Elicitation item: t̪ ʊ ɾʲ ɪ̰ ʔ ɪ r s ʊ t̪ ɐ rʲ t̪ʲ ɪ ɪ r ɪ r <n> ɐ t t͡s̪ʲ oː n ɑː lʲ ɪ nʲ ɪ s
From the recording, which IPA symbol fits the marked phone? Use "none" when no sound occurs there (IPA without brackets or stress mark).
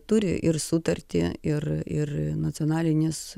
n